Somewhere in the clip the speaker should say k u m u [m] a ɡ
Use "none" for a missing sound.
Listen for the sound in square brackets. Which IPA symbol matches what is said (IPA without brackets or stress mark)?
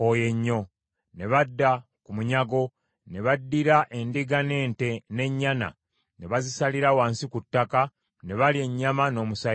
ɲ